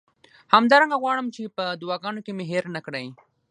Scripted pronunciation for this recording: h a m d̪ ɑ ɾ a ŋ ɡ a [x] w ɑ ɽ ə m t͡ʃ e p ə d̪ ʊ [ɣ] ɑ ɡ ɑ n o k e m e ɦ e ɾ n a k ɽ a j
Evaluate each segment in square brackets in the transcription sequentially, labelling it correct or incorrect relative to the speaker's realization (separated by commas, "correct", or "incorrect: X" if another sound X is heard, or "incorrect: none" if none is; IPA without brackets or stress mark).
incorrect: ɣ, incorrect: w